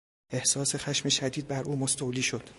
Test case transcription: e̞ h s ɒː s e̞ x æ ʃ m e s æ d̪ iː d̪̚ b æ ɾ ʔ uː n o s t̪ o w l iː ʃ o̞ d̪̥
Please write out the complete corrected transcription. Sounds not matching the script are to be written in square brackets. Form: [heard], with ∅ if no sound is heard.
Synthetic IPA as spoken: e̞ h s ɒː s e̞ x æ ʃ m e [ʃ] æ d̪ iː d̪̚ b æ ɾ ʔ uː [m] o s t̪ o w l iː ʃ o̞ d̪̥

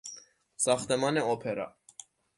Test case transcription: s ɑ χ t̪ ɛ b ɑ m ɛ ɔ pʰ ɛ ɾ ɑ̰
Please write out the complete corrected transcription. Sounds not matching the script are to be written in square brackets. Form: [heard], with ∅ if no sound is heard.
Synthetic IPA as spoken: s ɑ χ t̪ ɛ [m] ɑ [n] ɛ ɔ pʰ ɛ ɾ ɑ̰

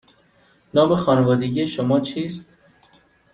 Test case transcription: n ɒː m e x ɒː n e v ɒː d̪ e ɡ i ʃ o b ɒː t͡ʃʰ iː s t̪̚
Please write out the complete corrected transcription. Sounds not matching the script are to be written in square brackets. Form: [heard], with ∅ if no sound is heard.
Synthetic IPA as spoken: n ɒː m e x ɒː n e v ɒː d̪ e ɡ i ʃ o [m] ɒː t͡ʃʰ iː s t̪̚

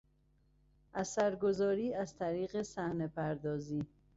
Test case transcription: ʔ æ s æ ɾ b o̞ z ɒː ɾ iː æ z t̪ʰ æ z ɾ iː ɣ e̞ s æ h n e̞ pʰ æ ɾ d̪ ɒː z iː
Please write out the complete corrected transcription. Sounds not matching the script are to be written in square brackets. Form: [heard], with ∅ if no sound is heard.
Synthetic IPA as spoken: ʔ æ s æ ɾ [ɡ] o̞ z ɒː ɾ iː æ z t̪ʰ æ [∅] ɾ iː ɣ e̞ s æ h n e̞ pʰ æ ɾ d̪ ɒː z iː

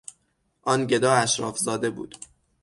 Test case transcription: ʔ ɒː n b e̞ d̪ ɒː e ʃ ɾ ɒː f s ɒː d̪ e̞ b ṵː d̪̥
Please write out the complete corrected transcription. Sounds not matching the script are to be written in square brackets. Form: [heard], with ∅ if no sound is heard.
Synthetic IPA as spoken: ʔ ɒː n [ɟ] e̞ d̪ ɒː [æ] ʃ ɾ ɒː f [z] ɒː d̪ e̞ b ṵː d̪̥

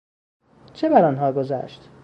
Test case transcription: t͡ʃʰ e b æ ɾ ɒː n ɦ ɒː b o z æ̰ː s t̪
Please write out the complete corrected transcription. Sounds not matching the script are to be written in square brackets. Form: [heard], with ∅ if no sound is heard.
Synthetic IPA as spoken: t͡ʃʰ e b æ ɾ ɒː n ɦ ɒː [ɡ] o z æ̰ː [ʃ] t̪

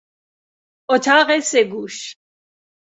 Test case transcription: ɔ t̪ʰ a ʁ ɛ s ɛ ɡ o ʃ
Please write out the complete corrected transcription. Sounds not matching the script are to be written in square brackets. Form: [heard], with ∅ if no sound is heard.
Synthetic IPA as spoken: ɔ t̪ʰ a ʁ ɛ s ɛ ɡ [u] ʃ

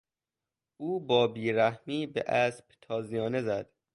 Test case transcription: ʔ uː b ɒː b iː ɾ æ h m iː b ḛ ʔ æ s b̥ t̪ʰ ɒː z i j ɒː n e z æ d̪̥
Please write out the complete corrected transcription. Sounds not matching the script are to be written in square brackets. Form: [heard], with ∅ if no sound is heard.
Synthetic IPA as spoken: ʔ uː b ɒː b iː ɾ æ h m iː b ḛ ʔ æ s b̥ t̪ʰ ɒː z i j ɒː n e z æ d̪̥

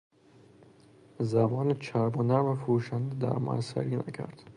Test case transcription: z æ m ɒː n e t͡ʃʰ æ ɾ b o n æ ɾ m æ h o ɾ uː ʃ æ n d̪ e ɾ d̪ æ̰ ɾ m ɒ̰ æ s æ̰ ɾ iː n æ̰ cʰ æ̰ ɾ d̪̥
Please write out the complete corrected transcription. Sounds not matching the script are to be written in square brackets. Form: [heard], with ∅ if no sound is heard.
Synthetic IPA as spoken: z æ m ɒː n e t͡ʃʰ æ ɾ b o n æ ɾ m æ [f] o ɾ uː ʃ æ n d̪ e [∅] d̪ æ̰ ɾ m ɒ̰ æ s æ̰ ɾ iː n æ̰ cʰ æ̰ ɾ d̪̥

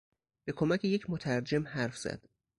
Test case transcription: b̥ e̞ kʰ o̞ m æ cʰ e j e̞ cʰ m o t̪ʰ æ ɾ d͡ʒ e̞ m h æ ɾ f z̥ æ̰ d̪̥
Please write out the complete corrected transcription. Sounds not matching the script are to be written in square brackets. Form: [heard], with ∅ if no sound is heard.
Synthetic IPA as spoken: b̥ e̞ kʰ o̞ m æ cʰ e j e̞ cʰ m o t̪ʰ æ ɾ d͡ʒ e̞ m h æ ɾ f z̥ æ̰ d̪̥

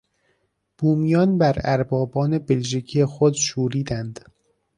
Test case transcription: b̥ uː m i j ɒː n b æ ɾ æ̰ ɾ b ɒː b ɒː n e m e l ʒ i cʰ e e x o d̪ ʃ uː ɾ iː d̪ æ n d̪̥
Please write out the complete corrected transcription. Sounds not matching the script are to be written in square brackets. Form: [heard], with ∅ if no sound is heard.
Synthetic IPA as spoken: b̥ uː m i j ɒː n b æ ɾ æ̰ ɾ b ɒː b ɒː n e [b] e l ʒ i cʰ [i] e x o d̪ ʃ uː ɾ iː d̪ æ n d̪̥

